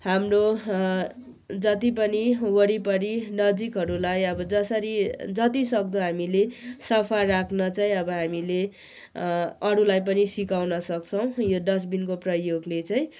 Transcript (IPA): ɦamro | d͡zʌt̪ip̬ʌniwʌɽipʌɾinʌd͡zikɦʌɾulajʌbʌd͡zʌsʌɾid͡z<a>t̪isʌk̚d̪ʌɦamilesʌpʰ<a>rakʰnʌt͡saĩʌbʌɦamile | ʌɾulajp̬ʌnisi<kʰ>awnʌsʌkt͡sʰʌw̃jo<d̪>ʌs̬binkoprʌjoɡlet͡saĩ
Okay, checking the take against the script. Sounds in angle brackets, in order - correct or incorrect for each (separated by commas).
incorrect, correct, incorrect, correct